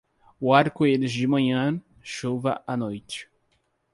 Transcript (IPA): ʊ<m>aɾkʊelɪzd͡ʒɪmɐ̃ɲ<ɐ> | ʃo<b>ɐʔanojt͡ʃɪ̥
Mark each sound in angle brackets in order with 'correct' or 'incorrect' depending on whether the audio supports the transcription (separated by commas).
incorrect, incorrect, incorrect